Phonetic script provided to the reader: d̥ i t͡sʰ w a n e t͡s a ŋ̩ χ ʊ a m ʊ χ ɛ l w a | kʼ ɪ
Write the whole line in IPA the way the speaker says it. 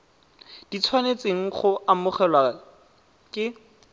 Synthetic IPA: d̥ i t͡sʰ w a n e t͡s e ŋ̩ χ ʊ a m ʊ χ ɛ l w a | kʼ ɪ